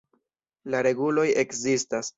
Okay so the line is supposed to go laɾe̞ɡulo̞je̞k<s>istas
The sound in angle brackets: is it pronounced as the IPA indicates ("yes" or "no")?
no